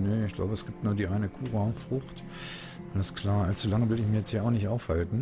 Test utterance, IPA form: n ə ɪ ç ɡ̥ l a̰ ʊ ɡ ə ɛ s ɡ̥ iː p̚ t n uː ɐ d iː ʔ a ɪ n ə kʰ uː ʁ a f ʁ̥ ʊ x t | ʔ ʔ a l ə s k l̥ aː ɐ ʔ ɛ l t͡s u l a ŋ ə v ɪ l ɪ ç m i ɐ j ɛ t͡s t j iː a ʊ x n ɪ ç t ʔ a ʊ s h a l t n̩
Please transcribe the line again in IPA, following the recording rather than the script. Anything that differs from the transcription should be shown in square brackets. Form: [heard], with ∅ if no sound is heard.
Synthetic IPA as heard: n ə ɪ ç ɡ̥ l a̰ ʊ [b] ə ɛ s ɡ̥ iː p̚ t n uː ɐ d iː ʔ a ɪ n ə kʰ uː ʁ a f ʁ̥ ʊ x t | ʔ ʔ a l ə s k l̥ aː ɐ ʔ [a] l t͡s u l a ŋ ə v ɪ l ɪ ç m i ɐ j ɛ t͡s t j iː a ʊ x n ɪ ç t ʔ a ʊ [f] h a l t n̩